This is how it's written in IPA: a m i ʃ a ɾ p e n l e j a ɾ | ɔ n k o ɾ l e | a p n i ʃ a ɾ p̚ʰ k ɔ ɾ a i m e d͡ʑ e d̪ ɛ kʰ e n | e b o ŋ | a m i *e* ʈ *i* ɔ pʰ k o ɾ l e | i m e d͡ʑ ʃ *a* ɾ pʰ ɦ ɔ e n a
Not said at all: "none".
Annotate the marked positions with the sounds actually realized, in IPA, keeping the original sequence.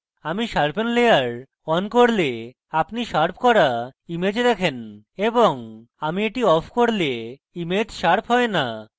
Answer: e, i, a

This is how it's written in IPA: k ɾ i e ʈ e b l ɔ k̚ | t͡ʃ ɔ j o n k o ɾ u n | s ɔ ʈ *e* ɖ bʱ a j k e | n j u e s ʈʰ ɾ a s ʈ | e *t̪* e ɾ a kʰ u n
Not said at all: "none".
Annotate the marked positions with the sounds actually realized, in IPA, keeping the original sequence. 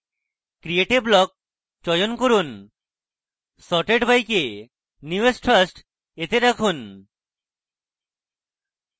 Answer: e, t̪

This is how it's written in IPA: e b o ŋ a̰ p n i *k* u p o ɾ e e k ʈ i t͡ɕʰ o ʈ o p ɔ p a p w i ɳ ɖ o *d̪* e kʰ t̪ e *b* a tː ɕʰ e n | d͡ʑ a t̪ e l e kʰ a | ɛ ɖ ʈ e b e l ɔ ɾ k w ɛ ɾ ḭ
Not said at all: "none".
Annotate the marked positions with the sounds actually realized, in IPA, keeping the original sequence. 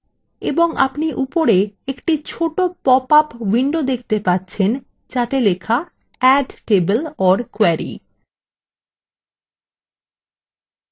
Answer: ʔ, d̪, p

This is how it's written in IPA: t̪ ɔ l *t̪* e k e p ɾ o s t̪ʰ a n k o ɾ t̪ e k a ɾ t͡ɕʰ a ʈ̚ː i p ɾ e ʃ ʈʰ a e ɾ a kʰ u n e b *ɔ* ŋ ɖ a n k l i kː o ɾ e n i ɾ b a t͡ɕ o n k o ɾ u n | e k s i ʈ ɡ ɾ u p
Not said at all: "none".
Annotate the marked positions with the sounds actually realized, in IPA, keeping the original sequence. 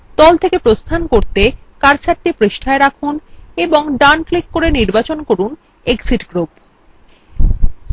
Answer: t̪ʰ, o

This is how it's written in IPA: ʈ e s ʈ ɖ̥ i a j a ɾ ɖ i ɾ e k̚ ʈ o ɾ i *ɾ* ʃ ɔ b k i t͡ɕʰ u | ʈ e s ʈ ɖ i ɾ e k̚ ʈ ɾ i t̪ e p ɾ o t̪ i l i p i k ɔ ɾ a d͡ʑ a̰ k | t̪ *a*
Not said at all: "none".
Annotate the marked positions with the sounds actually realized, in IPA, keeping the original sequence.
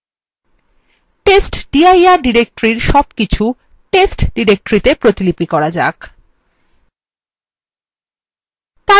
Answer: ɾ, a

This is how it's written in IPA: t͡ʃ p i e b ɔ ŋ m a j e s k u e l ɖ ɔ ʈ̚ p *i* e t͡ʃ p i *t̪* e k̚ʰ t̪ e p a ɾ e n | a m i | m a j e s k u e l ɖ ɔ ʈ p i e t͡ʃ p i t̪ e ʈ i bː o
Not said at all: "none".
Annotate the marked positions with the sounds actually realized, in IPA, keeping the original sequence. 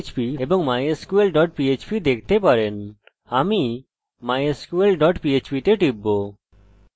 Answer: i, d̪

